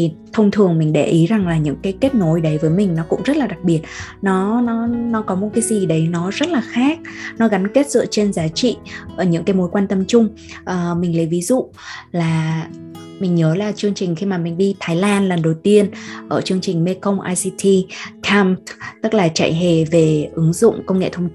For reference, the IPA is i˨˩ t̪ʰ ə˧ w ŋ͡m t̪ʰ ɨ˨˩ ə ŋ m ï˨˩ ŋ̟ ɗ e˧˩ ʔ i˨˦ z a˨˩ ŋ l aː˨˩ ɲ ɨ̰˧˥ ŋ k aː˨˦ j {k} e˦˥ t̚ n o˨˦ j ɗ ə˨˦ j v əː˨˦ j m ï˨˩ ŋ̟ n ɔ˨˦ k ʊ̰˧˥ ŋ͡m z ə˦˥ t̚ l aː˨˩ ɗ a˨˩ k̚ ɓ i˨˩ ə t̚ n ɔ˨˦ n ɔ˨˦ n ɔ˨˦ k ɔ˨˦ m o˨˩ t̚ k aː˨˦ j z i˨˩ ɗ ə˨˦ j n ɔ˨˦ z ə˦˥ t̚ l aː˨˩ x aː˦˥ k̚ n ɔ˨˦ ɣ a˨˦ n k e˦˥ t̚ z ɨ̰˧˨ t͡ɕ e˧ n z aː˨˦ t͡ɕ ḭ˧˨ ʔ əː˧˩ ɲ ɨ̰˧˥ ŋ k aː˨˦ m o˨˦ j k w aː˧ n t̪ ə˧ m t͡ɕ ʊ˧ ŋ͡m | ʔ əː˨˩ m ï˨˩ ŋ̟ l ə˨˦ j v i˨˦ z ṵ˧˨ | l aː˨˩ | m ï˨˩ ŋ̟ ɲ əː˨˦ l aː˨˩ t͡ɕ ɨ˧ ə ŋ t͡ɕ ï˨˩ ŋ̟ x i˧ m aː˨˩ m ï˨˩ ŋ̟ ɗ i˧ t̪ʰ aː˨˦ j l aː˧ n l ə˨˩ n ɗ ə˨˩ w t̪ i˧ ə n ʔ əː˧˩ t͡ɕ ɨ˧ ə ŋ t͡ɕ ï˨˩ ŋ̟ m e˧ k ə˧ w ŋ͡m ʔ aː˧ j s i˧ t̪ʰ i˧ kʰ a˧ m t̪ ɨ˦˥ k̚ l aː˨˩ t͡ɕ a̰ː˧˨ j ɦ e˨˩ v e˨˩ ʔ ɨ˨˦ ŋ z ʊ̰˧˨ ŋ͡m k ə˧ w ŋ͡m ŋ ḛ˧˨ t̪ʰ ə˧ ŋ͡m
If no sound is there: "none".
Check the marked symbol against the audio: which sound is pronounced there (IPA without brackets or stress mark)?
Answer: k